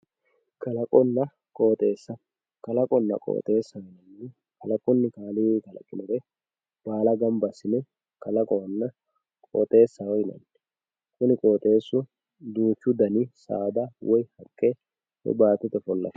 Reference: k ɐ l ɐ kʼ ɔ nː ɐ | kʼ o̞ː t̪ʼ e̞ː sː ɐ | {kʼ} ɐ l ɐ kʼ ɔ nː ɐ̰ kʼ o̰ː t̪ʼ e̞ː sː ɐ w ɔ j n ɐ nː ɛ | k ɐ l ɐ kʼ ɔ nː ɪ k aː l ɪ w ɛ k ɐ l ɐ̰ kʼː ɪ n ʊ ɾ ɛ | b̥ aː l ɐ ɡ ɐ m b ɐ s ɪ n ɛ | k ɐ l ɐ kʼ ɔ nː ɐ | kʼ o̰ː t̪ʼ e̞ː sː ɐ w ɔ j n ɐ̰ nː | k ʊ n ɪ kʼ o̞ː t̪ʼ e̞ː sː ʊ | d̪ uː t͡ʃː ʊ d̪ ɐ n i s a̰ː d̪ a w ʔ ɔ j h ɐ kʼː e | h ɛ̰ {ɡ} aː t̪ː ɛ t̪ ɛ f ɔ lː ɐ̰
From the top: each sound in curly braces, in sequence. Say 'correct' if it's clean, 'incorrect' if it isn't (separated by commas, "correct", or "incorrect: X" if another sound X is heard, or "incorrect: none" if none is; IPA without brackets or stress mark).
incorrect: k, incorrect: b